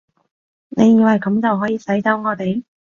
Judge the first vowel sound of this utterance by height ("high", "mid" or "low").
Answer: mid